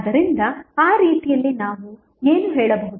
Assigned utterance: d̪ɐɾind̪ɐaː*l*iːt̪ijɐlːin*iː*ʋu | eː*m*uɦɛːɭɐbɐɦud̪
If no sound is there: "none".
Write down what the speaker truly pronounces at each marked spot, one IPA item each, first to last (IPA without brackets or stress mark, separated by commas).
ɾ, aː, n